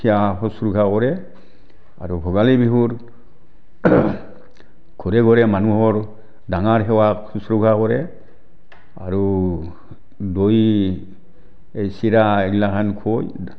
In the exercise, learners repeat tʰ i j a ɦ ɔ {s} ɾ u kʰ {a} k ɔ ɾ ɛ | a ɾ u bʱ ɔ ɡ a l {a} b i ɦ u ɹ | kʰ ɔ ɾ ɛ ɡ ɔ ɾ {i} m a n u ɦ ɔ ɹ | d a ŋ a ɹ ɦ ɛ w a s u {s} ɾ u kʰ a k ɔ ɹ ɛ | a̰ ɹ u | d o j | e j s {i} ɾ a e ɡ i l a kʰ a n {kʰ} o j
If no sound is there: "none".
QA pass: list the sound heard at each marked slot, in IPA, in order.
s, a, i, ɛ, s, i, kʰ

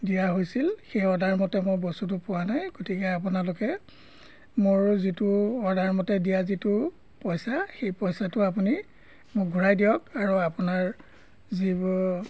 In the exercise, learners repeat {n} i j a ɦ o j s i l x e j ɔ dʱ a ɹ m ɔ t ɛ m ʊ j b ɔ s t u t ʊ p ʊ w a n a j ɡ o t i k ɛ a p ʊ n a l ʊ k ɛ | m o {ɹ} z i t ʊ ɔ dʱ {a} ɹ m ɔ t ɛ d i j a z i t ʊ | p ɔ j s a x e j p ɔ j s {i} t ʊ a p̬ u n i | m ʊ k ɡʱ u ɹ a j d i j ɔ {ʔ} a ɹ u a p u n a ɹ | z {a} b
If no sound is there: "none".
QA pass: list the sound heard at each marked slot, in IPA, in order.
d, ɹ, a, a, k, i

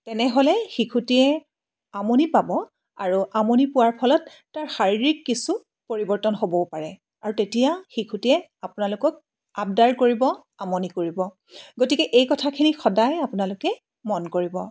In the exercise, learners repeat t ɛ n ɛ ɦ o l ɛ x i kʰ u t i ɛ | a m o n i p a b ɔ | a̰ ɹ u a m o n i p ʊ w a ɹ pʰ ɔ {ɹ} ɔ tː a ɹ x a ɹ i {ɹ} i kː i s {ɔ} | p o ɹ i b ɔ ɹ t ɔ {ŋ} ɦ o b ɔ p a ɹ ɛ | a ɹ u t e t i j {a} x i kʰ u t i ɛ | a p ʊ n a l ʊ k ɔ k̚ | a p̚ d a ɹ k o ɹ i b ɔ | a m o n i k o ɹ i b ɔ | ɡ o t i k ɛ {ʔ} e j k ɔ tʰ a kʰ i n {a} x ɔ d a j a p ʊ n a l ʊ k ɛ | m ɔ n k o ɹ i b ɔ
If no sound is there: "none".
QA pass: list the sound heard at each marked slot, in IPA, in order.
l, ɹ, u, n, a, ʔ, i

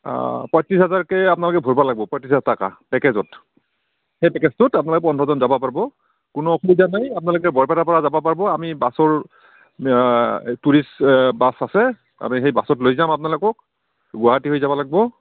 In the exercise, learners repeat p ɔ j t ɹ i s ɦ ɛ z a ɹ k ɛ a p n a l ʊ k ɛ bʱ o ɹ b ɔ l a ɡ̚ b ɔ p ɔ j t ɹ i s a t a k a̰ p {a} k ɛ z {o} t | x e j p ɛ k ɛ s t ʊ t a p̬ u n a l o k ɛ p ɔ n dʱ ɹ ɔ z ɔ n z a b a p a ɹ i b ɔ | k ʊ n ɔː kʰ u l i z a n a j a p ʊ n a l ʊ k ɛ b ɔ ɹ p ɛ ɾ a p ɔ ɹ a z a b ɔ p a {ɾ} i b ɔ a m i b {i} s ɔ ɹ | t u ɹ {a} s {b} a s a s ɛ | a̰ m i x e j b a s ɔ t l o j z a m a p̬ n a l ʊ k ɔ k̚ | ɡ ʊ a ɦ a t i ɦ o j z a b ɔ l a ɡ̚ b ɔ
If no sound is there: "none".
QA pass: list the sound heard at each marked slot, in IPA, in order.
ɛ, ɔ, ɹ, a, i, b

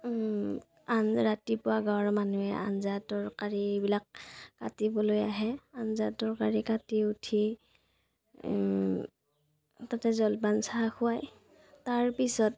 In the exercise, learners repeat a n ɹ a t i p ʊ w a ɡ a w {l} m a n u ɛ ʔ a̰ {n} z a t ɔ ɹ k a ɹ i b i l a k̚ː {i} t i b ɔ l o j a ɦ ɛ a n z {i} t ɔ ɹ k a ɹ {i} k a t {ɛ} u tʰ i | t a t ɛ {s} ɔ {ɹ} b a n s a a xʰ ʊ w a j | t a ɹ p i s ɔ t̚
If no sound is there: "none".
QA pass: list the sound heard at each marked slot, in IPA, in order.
ɹ, n, a, a, i, i, z, l

